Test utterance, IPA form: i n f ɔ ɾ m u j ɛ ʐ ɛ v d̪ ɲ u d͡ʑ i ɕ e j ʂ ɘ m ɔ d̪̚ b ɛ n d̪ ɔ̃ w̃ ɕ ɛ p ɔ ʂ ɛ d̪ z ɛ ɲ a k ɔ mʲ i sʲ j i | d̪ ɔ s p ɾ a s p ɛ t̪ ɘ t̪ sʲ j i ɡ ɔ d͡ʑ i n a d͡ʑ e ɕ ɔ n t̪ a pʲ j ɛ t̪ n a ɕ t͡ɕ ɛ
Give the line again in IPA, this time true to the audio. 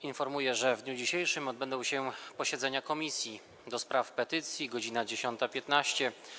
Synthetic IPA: i n f ɔ ɾ m u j ɛ ʐ ɛ v d̪ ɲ u d͡ʑ i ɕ e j ʂ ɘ m ɔ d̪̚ b ɛ n d̪ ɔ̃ w̃ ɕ ɛ p ɔ ɕ ɛ d̪ z ɛ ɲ a k ɔ mʲ i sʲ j i | d̪ ɔ s p ɾ a f p ɛ t̪ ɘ t̪ sʲ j i ɡ ɔ d͡ʑ i n a d͡ʑ e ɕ ɔ n t̪ a pʲ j ɛ t̪ n a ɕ t͡ɕ ɛ